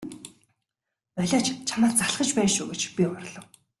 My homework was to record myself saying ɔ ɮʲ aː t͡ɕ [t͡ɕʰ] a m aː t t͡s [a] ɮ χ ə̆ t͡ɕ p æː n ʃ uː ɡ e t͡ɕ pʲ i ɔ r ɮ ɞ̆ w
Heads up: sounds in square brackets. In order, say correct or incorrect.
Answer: correct, correct

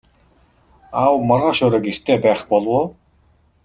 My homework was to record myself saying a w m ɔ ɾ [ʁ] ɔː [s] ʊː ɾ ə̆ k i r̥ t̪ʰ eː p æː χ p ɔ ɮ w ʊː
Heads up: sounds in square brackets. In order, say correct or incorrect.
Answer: correct, incorrect

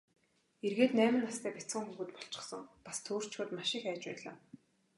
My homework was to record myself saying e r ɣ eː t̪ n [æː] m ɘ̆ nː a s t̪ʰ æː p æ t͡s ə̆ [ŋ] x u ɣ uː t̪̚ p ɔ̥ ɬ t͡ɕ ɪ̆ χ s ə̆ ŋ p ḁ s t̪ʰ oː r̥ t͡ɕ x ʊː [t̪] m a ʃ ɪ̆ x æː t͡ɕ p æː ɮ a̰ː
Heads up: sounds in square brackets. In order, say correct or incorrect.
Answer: correct, correct, correct

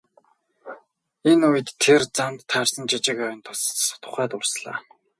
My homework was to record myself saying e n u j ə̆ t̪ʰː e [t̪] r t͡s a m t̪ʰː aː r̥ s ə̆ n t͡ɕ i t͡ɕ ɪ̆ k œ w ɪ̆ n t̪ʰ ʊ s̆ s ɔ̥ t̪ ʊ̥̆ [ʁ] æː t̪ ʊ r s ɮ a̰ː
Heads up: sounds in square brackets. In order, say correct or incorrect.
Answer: incorrect, incorrect

